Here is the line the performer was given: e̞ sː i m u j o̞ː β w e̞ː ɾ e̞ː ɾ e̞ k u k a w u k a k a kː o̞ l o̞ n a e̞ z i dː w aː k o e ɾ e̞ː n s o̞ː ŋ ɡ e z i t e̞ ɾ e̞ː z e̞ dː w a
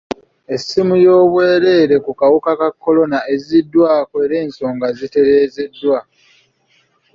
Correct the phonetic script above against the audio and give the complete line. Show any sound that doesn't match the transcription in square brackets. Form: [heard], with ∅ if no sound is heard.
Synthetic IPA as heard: e̞ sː i m u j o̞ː β w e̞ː ɾ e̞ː ɾ e̞ k u k a w u k a k a kː o̞ l o̞ n a e̞ z i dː w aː k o e ɾ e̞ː n s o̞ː ŋ ɡ [a] z i t e̞ ɾ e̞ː z e̞ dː w a